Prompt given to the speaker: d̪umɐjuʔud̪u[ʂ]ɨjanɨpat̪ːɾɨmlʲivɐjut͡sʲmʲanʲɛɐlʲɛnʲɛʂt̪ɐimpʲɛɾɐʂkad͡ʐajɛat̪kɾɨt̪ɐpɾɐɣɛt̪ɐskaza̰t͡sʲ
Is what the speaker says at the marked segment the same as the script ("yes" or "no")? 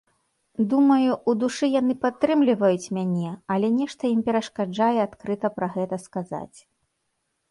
yes